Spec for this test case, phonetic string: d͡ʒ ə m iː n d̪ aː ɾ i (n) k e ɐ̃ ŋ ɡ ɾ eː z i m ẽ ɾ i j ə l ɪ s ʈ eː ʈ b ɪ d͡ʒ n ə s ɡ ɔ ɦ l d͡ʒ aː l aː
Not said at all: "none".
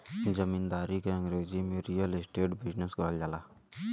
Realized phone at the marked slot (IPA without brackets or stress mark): none